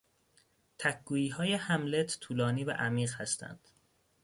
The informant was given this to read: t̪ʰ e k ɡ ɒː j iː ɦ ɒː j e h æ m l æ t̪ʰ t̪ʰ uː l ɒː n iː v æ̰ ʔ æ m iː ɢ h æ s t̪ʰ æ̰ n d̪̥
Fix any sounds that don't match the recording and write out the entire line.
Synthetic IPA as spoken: t̪ʰ æ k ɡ uː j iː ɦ ɒː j e h æ m l e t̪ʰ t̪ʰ uː l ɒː n iː v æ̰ ʔ æ m iː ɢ h æ s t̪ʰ æ̰ n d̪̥

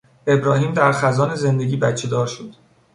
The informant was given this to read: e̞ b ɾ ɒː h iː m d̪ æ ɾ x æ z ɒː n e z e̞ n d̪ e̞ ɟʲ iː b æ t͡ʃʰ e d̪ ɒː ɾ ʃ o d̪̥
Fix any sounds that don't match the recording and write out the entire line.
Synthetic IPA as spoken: e̞ b ɾ ɒː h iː m d̪ æ ɾ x æ z ɒː n e z e̞ n d̪ e̞ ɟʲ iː b æ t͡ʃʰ e d̪ ɒː ɾ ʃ o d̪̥

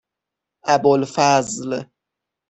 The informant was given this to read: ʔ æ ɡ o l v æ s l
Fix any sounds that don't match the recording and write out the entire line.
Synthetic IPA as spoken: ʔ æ b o l f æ z l

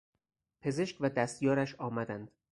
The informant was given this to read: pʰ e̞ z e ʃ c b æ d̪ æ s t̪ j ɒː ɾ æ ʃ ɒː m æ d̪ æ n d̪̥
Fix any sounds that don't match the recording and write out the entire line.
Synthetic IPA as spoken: pʰ e̞ z e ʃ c v æ d̪ æ s t̪ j ɒː ɾ æ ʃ ɒː m æ d̪ æ n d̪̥

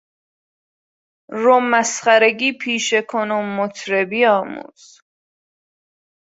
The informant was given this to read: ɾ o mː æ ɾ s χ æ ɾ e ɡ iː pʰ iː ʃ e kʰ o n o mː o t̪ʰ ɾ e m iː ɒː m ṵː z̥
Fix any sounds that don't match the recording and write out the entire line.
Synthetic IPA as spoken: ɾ o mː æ s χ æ ɾ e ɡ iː pʰ iː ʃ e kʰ o n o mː o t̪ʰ ɾ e b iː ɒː m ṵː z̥

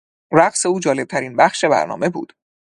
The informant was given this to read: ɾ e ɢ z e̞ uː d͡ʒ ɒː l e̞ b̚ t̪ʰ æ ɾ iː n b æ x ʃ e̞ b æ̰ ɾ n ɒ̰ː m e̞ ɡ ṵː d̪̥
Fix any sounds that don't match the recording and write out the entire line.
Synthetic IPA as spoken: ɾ æ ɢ s e̞ uː d͡ʒ ɒː l e̞ b̚ t̪ʰ æ ɾ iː n b æ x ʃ e̞ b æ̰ ɾ n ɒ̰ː m e̞ b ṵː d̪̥

